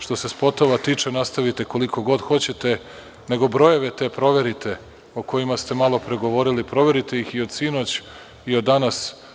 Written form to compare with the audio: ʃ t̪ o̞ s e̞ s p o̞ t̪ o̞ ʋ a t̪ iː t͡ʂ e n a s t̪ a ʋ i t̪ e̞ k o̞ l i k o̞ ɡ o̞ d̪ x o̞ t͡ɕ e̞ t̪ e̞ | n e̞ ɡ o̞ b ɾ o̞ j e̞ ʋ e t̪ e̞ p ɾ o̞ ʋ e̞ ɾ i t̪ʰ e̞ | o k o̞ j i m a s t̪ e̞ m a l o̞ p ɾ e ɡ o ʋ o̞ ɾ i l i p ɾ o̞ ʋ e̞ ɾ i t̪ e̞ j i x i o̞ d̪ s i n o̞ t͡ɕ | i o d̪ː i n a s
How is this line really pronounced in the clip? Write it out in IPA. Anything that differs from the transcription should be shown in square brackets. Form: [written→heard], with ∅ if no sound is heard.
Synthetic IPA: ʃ t̪ o̞ s e̞ s p o̞ t̪ o̞ ʋ a t̪ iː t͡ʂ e n a s t̪ a ʋ i t̪ e̞ k o̞ l i k o̞ ɡ o̞ d̪ x o̞ t͡ɕ e̞ t̪ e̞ | n e̞ ɡ o̞ b ɾ o̞ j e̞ ʋ e t̪ e̞ p ɾ o̞ ʋ e̞ ɾ i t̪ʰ e̞ | o k o̞ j i m a s t̪ e̞ m a l o̞ p ɾ e ɡ o ʋ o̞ ɾ i l i p ɾ o̞ ʋ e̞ ɾ i t̪ e̞ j i x i o̞ d̪ s i n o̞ t͡ɕ | i o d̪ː [i→a] n a s